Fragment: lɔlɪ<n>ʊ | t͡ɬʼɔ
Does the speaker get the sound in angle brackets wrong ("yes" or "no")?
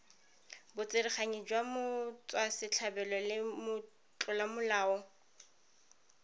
yes